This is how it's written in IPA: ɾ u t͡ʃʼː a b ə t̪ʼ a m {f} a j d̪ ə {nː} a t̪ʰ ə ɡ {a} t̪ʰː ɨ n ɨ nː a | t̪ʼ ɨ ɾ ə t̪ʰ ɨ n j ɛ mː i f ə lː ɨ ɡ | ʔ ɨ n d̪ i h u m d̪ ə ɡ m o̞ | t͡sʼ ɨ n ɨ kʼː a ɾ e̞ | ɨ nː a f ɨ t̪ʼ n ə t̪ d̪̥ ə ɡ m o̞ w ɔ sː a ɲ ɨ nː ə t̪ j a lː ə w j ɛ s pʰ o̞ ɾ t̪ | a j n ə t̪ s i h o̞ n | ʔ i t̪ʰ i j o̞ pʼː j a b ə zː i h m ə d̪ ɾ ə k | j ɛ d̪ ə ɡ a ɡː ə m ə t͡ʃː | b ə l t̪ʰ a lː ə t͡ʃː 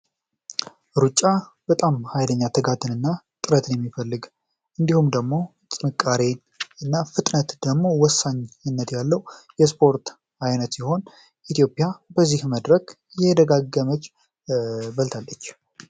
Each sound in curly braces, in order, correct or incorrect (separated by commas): incorrect, incorrect, correct